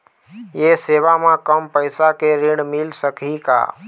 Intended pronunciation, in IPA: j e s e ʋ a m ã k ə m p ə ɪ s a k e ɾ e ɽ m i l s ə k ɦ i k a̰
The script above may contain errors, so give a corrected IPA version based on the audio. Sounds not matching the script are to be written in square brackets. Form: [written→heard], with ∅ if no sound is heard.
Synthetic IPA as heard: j e s e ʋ a m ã k ə m p ə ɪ s a k e ɾ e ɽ m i l s ə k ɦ i k a̰